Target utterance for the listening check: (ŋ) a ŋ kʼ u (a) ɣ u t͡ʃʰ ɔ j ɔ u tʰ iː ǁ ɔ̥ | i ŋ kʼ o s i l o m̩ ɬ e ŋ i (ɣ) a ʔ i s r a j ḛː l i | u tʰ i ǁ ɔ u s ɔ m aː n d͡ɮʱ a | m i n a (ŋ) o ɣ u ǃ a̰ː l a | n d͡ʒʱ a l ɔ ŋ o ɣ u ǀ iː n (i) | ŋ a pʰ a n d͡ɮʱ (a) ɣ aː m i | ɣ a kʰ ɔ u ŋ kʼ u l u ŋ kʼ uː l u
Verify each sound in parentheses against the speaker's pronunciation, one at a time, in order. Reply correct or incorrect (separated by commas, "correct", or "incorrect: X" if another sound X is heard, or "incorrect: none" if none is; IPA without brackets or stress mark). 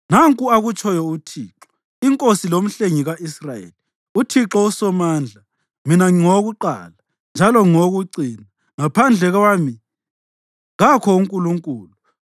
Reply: incorrect: n, correct, correct, correct, incorrect: a, incorrect: ɛ